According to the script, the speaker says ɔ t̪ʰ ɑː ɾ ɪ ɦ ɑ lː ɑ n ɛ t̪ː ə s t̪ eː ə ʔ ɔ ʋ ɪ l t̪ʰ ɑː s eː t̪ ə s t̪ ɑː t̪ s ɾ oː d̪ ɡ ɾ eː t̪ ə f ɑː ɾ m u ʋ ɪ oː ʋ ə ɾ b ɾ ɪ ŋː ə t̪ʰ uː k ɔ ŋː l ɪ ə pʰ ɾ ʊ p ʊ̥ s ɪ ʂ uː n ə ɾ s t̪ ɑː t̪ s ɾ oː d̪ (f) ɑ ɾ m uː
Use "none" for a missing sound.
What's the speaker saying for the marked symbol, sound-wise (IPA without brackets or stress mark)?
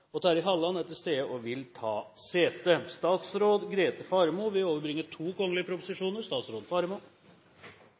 f